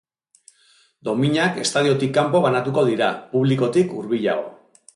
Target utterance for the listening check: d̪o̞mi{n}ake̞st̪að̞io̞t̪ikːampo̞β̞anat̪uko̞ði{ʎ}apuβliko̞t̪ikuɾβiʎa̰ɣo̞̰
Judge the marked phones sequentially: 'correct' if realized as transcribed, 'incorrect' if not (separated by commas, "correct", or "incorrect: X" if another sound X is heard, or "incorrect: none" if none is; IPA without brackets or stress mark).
incorrect: ɲ, incorrect: ɾ